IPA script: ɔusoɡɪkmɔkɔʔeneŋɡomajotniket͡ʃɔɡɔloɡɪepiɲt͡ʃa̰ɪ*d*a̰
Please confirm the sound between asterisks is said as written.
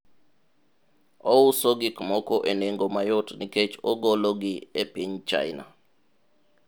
no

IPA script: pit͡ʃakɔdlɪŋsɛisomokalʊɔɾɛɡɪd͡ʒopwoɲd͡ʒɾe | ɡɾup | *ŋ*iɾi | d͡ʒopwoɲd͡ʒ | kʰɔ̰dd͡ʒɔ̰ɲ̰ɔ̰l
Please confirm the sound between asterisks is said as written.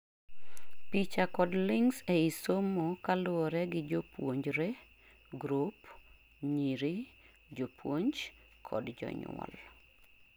no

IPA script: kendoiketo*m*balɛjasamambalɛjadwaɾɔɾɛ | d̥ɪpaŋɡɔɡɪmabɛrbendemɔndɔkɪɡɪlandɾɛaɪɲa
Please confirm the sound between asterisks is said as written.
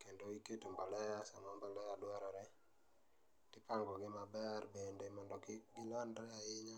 yes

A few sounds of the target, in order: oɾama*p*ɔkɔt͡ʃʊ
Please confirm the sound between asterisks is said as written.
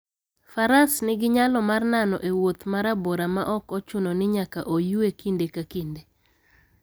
no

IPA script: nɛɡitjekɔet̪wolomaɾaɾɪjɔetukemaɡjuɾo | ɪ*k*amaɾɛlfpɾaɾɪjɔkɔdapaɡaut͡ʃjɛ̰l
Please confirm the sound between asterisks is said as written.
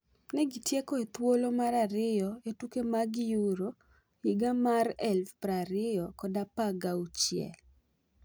no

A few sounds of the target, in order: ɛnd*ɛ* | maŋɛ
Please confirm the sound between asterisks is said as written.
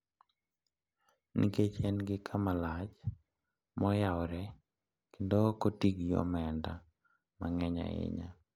no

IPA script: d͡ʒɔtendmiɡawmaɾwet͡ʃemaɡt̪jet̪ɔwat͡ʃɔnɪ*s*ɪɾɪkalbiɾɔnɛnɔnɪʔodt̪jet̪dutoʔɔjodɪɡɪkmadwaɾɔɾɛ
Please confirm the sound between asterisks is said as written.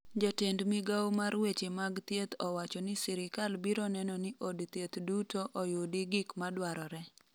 yes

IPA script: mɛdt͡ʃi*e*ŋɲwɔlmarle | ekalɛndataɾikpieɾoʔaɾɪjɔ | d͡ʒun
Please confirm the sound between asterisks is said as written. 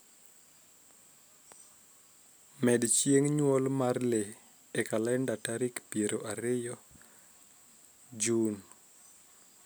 yes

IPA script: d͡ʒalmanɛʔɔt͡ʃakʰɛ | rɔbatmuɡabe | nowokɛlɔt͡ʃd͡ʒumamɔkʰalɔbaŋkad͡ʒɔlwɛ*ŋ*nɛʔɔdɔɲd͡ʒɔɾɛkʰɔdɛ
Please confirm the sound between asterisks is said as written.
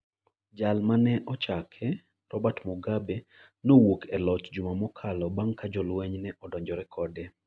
no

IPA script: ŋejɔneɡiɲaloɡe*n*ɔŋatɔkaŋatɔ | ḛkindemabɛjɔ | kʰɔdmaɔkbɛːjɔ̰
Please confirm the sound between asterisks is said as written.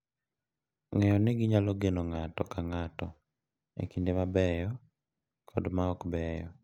yes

